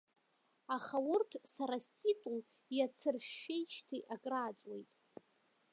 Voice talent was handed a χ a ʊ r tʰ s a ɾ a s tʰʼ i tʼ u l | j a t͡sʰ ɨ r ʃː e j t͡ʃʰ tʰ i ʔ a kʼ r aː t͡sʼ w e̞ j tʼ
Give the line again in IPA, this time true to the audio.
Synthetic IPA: a χ a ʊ r tʰ s a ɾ a s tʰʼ i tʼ u l | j a t͡sʰ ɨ r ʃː e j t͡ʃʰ tʰ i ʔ a kʼ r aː t͡sʼ w e̞ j tʼ

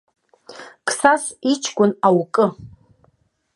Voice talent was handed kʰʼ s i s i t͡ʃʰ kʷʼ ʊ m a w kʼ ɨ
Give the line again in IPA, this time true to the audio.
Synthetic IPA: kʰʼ s a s i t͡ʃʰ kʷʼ ʊ n a w kʼ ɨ

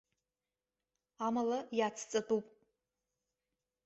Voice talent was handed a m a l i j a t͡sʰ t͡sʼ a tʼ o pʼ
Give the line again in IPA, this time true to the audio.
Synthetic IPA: a m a l a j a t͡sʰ t͡sʼ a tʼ u pʼ

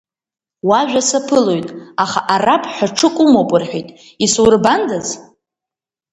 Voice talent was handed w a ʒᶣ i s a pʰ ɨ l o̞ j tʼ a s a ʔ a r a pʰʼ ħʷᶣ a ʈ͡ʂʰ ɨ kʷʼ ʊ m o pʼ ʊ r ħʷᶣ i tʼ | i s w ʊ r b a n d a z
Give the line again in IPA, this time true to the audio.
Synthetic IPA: w a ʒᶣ a s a pʰ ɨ l o̞ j tʼ a χ a ʔ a r a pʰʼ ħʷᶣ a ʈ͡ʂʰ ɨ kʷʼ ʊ m o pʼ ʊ r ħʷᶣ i tʼ | i s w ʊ r b a n d a z

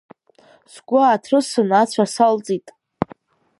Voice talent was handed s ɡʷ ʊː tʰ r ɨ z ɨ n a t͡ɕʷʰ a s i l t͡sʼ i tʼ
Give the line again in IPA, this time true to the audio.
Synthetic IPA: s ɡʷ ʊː tʰ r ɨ s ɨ n a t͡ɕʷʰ a s a l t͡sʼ i tʼ

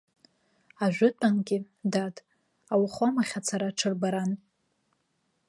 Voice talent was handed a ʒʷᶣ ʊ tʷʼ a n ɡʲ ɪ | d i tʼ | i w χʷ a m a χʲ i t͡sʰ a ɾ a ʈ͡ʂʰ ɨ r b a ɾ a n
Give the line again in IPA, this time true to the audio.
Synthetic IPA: a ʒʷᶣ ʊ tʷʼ a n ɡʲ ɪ | d a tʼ | a w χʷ a m a χʲ a t͡sʰ a ɾ a ʈ͡ʂʰ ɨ r b a ɾ a n

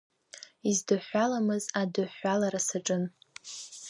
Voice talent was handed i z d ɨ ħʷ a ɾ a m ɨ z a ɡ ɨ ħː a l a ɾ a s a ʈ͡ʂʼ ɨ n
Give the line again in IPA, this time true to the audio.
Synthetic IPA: i z d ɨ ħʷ a l a m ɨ z a d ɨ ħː a l a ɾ a s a ʈ͡ʂʼ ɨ n

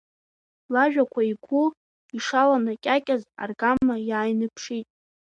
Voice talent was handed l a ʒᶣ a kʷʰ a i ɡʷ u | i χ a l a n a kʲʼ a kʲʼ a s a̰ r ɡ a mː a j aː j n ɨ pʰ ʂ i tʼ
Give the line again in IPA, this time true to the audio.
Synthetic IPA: l a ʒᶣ a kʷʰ a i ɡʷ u | i ʂ a l a n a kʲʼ a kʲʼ a z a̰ r ɡ a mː a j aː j n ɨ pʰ ʂ i tʼ

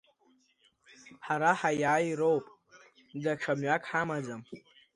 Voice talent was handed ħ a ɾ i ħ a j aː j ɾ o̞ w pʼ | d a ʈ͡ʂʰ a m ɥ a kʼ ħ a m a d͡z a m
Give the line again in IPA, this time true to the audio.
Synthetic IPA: ħ a ɾ a ħ a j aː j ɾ o̞ w pʼ | d a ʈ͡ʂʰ a m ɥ a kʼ ħ a m a d͡z a m

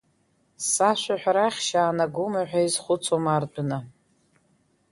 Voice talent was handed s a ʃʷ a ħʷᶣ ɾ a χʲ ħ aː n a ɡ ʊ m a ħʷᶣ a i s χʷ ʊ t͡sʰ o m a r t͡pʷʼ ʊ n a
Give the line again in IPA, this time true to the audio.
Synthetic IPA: s a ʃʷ a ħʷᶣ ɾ a χʲ ʃ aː n a ɡ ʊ m a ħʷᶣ a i z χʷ ʊ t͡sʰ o m a r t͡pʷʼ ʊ n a

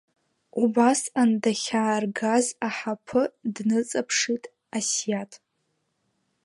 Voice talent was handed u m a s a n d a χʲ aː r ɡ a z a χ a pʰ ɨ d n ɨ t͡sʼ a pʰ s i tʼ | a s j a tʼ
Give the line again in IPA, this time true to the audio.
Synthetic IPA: u b a s a n d a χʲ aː r ɡ a z a ħ a pʰ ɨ d n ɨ t͡sʼ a pʰ ʂ i tʼ | a s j a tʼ

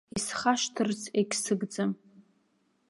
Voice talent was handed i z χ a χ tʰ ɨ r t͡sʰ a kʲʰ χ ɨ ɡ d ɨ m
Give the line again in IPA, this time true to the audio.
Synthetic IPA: i s χ a ʃ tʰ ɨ r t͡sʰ e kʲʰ s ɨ ɡ d͡z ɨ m

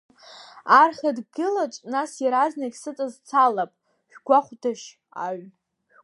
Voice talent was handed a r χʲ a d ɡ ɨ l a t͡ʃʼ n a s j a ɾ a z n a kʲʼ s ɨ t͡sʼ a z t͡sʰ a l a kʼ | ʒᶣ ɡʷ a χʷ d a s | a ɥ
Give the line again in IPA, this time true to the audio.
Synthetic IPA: a r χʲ a d ɡ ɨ l a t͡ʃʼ n a s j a ɾ a z n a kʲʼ s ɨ t͡sʼ a z t͡sʰ a l a pʼ | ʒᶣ ɡʷ a χʷ d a ʃ | a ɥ

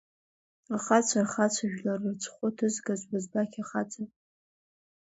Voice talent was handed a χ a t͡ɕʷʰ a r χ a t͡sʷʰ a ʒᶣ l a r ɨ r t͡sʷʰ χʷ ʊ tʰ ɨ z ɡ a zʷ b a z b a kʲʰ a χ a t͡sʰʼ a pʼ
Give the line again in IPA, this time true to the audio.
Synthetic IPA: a χ a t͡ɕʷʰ a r χ a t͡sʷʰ a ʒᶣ l a r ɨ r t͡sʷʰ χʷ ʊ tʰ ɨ z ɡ a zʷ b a z b a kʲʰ a χ a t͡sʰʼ a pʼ

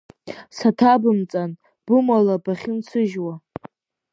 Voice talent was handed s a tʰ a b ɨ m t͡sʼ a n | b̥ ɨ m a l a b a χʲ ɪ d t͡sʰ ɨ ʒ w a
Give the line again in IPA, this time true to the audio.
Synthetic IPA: s a tʰ a b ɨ m t͡sʼ a n | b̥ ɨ m a l a b a χʲ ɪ n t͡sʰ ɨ ʒ w a

